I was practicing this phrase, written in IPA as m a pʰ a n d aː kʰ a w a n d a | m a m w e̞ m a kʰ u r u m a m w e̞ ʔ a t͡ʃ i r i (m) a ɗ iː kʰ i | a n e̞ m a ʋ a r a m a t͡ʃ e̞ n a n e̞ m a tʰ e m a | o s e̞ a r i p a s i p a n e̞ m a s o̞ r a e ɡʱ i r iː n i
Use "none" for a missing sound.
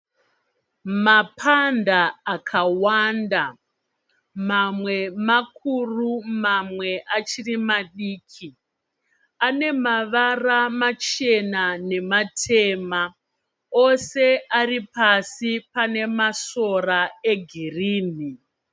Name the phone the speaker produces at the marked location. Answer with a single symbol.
m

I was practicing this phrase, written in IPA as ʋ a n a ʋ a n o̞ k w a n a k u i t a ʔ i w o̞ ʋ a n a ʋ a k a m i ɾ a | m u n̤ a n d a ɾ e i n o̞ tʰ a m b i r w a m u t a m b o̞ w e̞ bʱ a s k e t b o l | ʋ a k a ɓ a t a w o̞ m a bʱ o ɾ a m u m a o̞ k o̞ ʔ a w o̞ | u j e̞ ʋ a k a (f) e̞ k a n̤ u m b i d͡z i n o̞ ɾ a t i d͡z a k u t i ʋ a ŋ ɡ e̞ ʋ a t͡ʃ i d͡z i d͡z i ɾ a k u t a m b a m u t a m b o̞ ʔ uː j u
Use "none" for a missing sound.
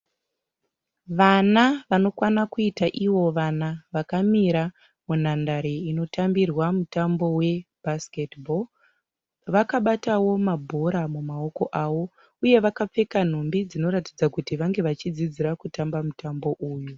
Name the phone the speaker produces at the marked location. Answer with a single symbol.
p͡f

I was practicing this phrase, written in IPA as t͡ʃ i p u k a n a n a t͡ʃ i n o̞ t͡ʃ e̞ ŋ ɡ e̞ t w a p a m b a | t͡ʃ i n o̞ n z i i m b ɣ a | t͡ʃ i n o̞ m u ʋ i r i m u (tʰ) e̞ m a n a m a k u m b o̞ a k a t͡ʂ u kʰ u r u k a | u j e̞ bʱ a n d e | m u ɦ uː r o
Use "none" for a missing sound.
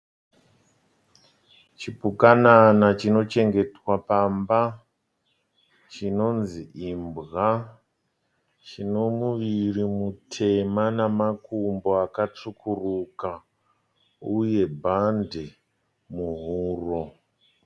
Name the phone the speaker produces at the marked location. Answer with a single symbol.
tʰ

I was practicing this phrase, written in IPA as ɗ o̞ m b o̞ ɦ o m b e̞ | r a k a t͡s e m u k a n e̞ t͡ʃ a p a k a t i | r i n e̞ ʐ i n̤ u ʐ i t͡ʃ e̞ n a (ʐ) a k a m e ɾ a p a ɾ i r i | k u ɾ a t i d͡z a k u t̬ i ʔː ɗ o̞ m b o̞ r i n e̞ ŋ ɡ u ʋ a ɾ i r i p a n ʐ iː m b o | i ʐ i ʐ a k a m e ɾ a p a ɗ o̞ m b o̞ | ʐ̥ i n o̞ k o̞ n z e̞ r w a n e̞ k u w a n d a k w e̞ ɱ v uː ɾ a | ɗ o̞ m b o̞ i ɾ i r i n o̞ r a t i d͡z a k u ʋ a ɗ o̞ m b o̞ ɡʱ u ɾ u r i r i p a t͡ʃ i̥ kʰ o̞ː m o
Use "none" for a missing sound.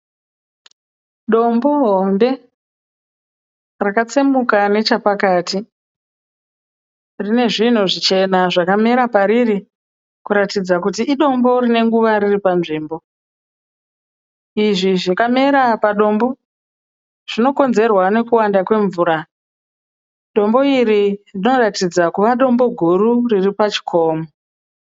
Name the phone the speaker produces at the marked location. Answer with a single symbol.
ʐ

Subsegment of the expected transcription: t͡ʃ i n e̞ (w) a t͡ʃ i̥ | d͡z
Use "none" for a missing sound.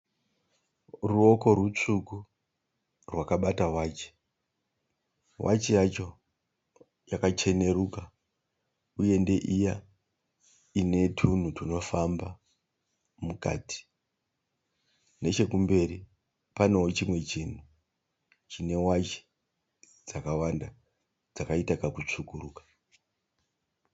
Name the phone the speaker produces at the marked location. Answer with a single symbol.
w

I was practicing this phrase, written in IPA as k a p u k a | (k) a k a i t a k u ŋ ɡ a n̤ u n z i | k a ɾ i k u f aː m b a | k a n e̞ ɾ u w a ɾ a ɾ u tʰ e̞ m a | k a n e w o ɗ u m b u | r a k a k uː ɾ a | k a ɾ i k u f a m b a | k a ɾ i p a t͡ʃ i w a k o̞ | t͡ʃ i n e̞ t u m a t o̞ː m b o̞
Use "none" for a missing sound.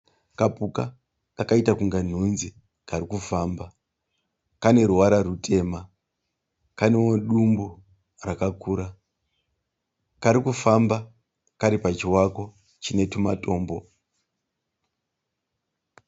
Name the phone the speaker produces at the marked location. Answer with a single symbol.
k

